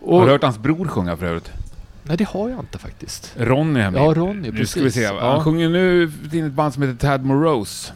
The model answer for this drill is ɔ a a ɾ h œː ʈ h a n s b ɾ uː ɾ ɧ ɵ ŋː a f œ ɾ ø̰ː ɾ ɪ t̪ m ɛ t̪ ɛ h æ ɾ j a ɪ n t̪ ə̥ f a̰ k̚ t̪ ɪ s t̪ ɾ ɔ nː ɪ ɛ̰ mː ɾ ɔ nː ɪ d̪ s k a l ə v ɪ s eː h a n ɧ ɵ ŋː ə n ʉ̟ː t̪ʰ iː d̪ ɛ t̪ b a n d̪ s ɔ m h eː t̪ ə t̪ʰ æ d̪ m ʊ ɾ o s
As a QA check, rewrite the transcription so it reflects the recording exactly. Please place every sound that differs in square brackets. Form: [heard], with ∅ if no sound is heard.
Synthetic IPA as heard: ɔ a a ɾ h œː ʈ h a n s b ɾ uː ɾ ɧ ɵ ŋː a f œ ɾ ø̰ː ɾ ɪ t̪ [n] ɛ [d̪] ɛ h [a] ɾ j a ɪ n t̪ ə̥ f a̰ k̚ t̪ ɪ s t̪ ɾ ɔ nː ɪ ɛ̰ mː ɾ ɔ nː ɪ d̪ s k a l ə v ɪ s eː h a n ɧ ɵ ŋː ə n ʉ̟ː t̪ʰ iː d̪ ɛ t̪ b a n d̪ s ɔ m h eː t̪ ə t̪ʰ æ d̪ m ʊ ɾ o s